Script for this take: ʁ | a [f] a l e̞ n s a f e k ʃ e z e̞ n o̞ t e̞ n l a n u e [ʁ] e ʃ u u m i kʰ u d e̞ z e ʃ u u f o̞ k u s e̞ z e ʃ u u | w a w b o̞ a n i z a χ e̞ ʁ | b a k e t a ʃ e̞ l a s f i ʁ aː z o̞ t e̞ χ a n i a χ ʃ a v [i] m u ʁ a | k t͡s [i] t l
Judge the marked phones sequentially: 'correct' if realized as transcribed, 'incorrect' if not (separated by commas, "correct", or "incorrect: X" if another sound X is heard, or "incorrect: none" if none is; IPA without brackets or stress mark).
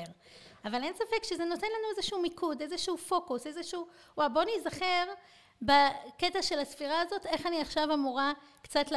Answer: incorrect: v, incorrect: z, incorrect: a, incorrect: a